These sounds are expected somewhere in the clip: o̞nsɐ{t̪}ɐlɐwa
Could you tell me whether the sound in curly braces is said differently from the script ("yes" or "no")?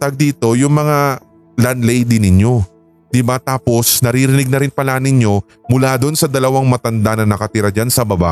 yes